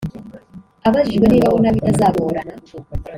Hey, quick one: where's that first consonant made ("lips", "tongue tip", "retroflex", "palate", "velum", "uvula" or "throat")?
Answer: lips